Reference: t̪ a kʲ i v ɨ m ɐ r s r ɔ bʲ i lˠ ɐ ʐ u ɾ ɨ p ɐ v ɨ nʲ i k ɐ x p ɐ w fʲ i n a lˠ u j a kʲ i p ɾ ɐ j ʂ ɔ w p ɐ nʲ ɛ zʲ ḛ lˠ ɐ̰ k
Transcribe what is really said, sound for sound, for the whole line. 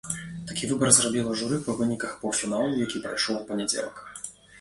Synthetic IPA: t̪ a kʲ i v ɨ b ɐ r z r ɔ bʲ i lˠ ɐ ʐ u ɾ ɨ p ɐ v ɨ nʲ i k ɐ x p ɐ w fʲ i n a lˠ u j a kʲ i p ɾ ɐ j ʂ ɔ w p ɐ nʲ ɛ d͡zʲ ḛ lˠ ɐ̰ k